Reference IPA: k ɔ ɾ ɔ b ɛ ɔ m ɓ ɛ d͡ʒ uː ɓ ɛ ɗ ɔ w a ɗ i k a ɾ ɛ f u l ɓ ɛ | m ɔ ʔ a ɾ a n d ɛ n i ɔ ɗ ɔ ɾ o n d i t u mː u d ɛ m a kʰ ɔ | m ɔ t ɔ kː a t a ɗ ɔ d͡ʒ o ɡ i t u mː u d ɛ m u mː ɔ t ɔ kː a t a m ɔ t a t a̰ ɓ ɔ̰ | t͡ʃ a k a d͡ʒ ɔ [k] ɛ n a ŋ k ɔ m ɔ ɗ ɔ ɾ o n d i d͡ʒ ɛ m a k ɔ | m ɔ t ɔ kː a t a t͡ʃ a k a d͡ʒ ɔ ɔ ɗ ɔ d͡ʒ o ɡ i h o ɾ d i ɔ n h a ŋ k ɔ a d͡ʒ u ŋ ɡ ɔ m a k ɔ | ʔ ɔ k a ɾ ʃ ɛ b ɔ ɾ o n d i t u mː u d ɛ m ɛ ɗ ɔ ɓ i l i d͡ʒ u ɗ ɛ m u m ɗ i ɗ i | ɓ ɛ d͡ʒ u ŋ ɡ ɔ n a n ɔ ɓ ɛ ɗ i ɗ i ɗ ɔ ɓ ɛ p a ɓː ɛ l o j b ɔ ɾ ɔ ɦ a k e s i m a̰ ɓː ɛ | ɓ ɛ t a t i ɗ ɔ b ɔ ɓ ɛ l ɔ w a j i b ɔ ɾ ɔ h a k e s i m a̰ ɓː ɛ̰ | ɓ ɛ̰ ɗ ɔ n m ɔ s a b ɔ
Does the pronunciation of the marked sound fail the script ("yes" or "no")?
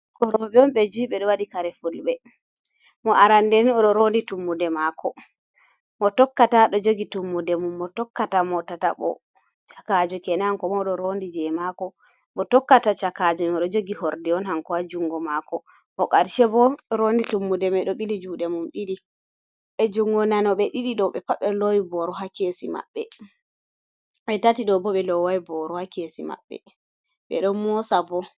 no